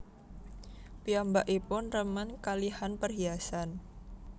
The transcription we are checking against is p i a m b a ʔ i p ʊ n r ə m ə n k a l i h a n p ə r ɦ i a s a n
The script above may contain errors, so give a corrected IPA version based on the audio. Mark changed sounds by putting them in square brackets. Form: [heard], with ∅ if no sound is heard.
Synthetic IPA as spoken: p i a m b a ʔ i p ʊ n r ə m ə n k a l i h a n p ə r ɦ i a s a n